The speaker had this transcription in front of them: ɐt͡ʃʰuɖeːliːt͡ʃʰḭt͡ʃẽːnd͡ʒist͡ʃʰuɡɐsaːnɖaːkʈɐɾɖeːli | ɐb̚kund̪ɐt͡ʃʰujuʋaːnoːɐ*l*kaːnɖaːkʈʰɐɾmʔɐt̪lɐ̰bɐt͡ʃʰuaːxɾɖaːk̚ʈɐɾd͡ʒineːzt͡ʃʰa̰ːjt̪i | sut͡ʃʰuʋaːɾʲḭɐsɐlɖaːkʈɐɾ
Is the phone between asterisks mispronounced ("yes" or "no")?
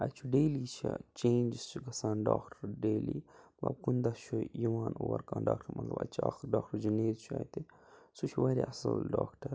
yes